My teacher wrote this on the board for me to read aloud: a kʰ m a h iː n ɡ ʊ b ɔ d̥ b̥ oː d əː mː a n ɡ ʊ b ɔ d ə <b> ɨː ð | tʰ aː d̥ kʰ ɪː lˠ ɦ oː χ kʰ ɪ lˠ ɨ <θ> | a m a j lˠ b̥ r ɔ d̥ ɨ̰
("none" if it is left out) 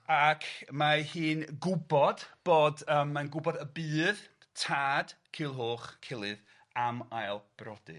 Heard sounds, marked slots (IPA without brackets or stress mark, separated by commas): b, ð